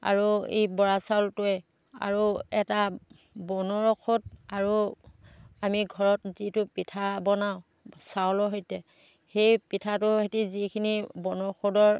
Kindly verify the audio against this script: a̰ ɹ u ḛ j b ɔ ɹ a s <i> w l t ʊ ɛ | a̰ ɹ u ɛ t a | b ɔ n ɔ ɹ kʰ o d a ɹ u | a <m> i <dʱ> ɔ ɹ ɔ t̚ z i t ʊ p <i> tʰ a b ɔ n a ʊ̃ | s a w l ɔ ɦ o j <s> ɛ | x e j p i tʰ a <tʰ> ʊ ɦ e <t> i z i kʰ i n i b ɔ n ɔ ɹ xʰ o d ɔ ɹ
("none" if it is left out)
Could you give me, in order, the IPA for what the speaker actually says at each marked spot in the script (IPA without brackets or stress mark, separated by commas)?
a, m, ɡʱ, i, t, t, t